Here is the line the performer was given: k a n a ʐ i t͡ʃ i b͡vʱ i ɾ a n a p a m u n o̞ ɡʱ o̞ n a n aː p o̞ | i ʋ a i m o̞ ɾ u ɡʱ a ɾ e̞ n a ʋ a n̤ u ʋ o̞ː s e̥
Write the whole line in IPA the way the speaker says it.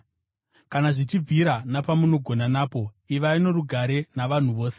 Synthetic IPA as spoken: k a n a ʐ i t͡ʃ i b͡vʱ i ɾ a n a p a m u n o̞ ɡʱ o̞ n a n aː p o̞ | i ʋ a i n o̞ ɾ u ɡʱ a ɾ e̞ n a ʋ a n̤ u ʋ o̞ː s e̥